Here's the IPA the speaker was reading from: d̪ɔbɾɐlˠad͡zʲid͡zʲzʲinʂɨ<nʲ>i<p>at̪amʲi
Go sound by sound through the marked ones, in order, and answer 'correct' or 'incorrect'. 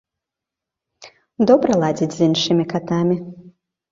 incorrect: mʲ, incorrect: k

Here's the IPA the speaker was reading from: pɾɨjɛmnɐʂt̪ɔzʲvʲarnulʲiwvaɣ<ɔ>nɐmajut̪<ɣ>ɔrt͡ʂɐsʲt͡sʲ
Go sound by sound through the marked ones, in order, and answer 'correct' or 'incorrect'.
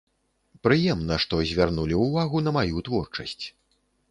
incorrect: u, incorrect: v

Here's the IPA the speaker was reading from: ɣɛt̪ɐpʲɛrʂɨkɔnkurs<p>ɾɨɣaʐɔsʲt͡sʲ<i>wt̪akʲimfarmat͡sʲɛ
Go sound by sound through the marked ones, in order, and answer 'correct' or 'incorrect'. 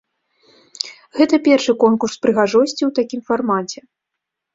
correct, correct

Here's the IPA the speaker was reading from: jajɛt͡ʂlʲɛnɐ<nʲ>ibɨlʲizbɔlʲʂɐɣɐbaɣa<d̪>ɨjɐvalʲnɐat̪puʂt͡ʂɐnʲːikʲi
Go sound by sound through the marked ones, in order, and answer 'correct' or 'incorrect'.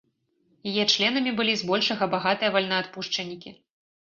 incorrect: mʲ, incorrect: t̪

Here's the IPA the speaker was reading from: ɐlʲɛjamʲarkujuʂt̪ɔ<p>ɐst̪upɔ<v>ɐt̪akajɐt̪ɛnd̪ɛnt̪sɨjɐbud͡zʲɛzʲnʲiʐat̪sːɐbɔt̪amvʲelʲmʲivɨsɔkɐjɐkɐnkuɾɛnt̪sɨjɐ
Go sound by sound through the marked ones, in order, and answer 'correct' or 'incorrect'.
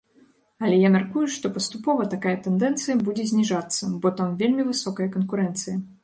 correct, correct

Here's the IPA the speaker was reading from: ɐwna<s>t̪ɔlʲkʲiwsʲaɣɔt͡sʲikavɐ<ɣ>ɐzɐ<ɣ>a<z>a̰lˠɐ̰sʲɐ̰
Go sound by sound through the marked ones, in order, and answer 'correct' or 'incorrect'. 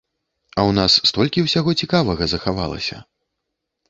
incorrect: sː, correct, incorrect: x, incorrect: v

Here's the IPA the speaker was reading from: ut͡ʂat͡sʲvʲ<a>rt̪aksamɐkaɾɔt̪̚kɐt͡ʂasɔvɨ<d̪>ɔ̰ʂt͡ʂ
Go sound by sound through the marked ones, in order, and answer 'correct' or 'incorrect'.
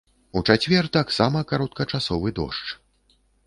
incorrect: ɛ, correct

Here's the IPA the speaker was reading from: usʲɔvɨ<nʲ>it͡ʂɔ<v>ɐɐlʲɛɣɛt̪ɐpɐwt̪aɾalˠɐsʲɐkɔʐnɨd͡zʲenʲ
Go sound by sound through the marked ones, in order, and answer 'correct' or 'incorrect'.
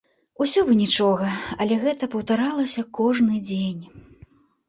correct, incorrect: ɣ

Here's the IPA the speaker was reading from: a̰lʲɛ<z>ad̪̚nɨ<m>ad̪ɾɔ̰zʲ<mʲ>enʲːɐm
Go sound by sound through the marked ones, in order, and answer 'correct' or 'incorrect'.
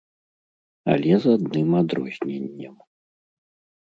correct, correct, incorrect: nʲ

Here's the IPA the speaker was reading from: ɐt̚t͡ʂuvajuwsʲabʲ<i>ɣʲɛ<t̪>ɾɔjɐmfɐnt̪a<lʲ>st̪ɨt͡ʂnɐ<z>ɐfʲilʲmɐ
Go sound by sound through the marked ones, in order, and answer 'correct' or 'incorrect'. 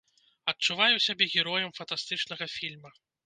incorrect: ɛ, incorrect: none, incorrect: none, incorrect: ɣ

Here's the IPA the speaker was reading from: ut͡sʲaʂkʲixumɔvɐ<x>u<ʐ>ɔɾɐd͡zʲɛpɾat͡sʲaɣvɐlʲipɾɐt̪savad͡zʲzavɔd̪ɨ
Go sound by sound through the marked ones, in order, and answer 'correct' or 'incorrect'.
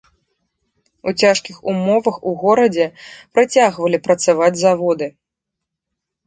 correct, incorrect: ɣ

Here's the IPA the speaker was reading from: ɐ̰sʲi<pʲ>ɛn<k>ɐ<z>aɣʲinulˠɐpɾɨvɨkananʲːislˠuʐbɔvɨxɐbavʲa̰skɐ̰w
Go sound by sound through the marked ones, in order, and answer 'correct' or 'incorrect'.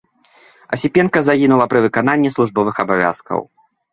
correct, correct, correct

